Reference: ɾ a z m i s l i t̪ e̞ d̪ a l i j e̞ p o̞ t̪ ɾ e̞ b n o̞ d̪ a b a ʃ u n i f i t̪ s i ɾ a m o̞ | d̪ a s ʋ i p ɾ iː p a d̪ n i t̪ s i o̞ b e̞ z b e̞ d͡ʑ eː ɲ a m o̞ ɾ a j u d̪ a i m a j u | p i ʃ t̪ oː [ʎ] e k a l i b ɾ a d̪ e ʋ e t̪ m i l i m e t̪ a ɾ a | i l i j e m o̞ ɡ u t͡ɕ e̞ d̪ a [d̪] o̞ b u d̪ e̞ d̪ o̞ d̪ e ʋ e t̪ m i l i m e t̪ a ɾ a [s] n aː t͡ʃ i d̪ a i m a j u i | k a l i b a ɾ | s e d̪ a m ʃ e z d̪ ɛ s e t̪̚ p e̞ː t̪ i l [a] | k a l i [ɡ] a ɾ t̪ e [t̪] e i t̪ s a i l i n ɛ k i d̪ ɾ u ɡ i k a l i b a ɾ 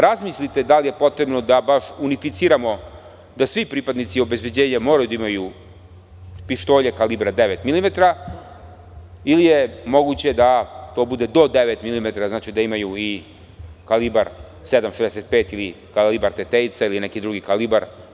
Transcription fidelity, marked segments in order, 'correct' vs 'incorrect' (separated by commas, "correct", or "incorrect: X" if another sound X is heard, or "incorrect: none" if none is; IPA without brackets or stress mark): correct, incorrect: t̪, incorrect: z, incorrect: i, incorrect: b, correct